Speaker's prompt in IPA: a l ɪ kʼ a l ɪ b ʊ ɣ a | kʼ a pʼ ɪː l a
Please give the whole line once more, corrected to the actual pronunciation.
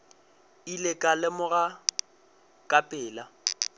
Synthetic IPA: i l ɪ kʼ a l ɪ m ʊ ɣ a | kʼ a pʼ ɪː l a